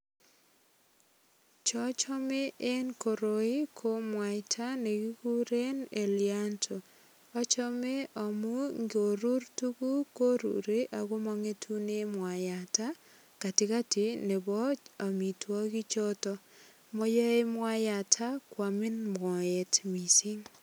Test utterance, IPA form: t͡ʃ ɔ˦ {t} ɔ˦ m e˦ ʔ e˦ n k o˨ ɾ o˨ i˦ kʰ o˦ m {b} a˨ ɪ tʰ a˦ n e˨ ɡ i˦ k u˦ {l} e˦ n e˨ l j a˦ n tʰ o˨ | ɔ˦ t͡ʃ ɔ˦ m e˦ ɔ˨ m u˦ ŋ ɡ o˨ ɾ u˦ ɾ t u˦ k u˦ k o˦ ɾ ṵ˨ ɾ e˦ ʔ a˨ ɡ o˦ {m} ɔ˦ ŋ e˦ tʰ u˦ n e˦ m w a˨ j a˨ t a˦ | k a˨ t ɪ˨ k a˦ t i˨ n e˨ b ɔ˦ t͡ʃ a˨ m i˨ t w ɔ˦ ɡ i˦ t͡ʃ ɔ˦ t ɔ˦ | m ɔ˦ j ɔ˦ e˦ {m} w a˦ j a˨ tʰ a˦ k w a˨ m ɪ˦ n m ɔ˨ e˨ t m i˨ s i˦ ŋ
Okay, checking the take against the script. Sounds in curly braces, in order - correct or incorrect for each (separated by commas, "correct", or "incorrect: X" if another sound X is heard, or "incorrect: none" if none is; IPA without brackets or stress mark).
incorrect: t͡ʃ, incorrect: w, incorrect: ɾ, correct, correct